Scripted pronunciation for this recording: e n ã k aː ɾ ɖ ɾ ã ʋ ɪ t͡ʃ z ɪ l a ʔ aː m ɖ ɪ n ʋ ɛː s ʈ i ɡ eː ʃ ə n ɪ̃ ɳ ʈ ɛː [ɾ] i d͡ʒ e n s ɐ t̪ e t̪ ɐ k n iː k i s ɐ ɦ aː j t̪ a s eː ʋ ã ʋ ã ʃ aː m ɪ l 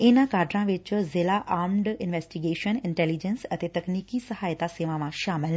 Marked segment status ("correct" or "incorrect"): incorrect